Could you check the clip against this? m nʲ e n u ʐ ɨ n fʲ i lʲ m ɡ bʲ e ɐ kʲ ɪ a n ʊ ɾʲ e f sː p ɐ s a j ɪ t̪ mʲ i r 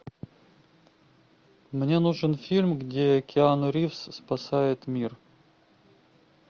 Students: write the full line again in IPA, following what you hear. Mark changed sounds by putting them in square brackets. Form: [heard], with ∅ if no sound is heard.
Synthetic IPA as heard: m nʲ e n u ʐ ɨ n fʲ i lʲ m ɡ [dʲ] e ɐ kʲ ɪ a n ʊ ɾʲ [i] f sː p ɐ s a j ɪ t̪ mʲ i r